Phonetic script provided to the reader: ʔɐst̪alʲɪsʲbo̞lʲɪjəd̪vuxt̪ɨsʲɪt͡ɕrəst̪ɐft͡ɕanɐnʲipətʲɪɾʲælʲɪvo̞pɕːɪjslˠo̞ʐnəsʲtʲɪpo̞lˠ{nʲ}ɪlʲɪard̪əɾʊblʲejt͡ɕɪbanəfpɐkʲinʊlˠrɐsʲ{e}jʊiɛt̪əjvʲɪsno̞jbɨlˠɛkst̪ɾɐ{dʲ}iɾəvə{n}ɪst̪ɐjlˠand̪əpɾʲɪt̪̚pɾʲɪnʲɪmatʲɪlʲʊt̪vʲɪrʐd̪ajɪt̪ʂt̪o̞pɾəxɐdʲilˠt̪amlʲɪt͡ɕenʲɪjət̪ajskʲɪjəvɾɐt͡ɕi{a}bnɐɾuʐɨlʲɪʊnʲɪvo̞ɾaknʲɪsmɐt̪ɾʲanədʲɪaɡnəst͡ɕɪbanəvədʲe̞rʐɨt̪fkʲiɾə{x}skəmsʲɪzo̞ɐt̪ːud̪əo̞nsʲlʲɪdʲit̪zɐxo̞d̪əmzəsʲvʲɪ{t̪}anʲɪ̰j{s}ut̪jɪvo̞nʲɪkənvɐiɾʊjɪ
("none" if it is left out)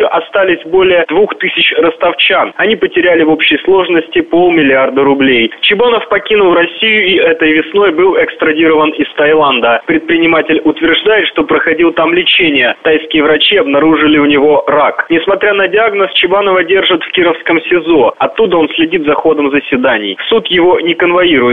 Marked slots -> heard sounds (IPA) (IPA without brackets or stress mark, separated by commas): mʲ, i, dʲ, n, ɐ, f, d̪, s